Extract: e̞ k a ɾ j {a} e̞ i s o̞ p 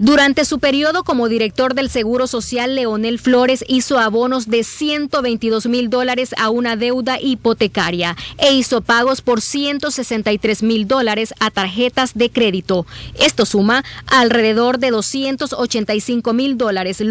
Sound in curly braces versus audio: correct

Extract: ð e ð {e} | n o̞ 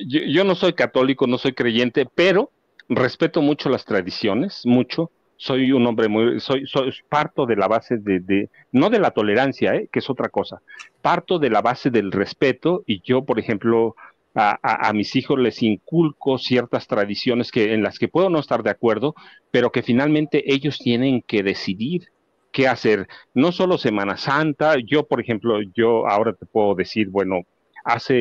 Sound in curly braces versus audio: correct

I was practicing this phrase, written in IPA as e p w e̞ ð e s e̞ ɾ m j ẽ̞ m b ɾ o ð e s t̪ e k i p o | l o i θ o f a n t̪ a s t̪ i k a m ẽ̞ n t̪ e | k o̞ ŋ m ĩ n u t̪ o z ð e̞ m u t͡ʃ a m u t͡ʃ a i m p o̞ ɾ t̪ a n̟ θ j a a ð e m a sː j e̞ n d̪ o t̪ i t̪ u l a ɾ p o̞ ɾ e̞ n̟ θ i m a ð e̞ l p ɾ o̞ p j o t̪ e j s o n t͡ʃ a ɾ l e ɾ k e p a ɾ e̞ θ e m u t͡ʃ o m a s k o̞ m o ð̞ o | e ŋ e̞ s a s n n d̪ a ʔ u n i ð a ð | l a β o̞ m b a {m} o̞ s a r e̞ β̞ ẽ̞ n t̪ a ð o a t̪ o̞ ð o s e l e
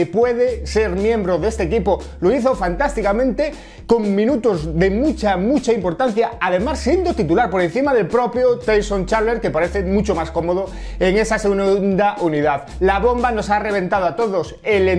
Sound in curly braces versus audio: incorrect: n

